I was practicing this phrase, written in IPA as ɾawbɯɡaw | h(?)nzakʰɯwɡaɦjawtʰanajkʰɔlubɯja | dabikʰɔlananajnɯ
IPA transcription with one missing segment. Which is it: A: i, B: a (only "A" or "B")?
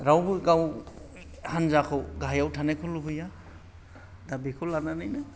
B